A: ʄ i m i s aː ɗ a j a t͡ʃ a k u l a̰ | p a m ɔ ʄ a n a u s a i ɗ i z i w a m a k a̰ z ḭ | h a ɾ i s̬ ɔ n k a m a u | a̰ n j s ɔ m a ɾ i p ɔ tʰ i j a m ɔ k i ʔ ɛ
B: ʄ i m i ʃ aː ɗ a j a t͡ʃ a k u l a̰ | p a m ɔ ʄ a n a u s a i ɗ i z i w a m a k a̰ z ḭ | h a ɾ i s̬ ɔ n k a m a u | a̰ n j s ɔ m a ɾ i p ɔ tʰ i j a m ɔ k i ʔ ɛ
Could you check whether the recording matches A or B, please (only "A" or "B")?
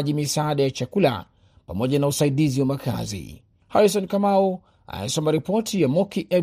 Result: A